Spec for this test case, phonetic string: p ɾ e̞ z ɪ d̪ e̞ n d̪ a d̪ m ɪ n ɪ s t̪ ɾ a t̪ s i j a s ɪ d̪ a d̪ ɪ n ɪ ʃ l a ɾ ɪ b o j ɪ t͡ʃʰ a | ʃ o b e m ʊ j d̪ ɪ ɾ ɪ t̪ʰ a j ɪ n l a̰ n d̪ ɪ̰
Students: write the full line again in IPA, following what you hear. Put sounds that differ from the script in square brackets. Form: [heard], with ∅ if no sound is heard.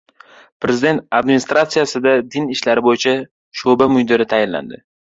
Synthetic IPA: p ɾ e̞ z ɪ d̪ e̞ n [t̪] a d̪ m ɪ n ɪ s t̪ ɾ a t̪ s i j a s ɪ d̪ a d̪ ɪ n ɪ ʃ l a ɾ ɪ b o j ɪ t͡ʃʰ a | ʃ o b [a] m ʊ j d̪ ɪ ɾ ɪ t̪ʰ a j ɪ n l a̰ n d̪ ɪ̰